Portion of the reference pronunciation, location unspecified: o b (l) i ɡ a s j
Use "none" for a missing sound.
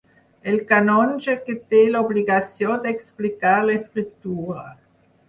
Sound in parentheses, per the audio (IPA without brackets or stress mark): l